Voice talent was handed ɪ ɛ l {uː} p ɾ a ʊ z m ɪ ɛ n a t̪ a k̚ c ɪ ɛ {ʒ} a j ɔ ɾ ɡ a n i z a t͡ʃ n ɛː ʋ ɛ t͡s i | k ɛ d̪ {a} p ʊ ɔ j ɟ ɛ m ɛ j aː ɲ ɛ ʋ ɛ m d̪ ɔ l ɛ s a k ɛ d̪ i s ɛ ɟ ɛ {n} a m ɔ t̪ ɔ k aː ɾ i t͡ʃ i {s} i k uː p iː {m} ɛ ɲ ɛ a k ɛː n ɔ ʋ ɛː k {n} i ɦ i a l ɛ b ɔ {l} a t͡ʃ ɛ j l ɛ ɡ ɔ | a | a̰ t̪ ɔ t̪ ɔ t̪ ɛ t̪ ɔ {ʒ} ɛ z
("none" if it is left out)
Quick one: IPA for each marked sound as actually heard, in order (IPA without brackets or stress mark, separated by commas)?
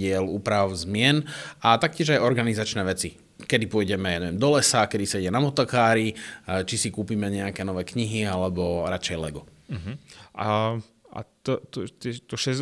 uː, ʒ, i, n, s, m, ɲ, ɾ, ʃ